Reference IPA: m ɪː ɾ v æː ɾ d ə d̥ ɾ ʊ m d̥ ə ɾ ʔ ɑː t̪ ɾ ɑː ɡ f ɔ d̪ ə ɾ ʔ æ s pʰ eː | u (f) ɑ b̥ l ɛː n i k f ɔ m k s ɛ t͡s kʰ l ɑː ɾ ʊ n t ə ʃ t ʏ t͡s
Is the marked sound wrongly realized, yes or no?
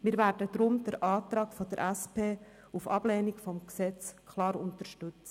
no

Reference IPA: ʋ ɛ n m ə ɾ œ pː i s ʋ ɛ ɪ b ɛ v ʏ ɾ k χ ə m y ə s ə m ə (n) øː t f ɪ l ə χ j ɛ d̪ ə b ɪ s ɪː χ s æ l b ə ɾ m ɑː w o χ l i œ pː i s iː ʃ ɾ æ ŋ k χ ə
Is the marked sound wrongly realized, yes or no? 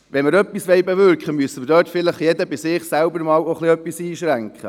yes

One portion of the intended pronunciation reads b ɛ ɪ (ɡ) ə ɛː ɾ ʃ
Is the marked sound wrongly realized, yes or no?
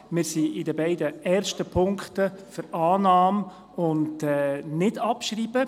yes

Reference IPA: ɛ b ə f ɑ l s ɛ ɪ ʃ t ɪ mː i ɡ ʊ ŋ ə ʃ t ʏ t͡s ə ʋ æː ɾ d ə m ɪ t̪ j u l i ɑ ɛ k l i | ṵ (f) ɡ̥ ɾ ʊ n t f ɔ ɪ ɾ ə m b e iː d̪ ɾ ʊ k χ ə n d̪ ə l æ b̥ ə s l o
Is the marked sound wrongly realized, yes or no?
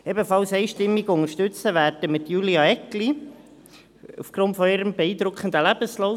no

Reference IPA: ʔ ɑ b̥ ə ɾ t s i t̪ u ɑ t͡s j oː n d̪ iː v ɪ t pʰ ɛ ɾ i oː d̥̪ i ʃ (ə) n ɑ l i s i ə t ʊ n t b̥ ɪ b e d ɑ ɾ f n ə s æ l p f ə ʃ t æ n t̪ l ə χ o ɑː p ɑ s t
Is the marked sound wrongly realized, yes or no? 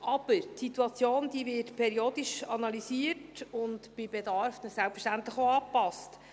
yes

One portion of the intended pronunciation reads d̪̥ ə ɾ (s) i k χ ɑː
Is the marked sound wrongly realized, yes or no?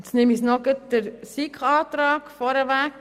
no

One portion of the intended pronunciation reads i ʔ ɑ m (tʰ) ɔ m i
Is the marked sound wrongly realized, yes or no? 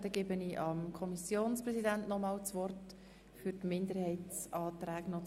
yes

